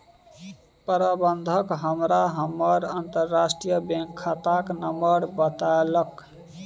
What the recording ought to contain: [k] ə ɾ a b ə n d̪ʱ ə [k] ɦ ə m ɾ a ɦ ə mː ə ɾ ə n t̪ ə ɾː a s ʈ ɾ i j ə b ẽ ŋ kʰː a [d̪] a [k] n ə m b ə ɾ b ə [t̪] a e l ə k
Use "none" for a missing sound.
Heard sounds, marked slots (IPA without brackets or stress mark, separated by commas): p, k, t̪, k, t̪